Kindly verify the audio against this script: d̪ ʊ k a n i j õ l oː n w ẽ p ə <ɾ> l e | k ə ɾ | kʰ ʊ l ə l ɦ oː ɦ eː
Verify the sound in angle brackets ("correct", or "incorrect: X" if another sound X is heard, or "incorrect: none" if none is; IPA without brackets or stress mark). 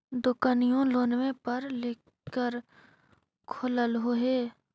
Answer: correct